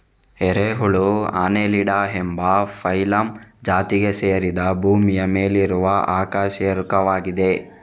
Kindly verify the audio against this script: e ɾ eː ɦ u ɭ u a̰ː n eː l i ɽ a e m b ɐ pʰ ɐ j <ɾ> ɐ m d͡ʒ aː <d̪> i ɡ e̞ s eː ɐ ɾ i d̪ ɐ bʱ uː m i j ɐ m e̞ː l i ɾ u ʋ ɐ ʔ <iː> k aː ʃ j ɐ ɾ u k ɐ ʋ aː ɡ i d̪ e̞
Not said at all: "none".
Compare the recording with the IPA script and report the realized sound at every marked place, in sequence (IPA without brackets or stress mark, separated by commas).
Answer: l, t̪, aː